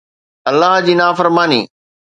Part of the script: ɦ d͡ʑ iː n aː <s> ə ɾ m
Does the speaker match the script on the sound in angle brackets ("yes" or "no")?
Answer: no